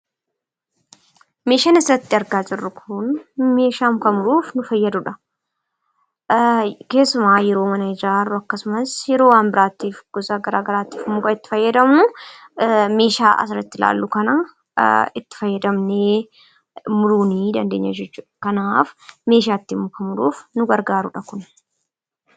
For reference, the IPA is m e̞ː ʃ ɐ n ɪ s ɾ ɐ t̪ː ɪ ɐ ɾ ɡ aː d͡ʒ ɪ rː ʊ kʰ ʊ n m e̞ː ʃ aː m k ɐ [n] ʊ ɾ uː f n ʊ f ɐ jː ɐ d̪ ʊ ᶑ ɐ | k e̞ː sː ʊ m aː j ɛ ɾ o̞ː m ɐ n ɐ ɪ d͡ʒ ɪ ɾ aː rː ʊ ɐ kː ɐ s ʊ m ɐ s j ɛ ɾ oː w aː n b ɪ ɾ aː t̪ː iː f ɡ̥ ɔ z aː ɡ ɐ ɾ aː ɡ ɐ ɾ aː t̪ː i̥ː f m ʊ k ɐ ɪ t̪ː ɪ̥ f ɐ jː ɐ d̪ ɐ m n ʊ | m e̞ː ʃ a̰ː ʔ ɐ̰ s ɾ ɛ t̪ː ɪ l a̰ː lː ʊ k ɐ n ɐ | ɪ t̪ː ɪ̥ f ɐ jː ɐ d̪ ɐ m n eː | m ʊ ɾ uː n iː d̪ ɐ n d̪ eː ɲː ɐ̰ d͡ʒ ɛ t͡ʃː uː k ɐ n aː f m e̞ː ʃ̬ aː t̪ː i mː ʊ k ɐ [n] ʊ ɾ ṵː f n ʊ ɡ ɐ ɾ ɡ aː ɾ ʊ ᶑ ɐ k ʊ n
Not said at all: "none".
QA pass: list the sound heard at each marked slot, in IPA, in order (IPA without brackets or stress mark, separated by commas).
m, m